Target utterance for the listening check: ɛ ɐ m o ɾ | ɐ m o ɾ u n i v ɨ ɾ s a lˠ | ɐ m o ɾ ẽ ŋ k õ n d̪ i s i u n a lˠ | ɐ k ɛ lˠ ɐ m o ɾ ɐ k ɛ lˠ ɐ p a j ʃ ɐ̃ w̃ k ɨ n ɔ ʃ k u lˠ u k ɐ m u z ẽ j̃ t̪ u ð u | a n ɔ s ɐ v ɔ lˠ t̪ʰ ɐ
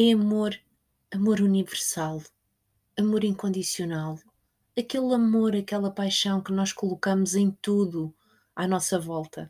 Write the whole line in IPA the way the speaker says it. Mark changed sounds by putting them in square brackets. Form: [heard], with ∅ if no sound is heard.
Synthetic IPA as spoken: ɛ ɐ m o ɾ | ɐ m o ɾ u n i v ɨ ɾ s a lˠ | ɐ m o ɾ [ĩ] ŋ k õ n d̪ i s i u n a lˠ | ɐ k [e] lˠ ɐ m o ɾ ɐ k ɛ lˠ ɐ p a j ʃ ɐ̃ w̃ k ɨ n ɔ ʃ k u lˠ u k ɐ m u z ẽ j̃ t̪ u ð u | a n ɔ s ɐ v ɔ lˠ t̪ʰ ɐ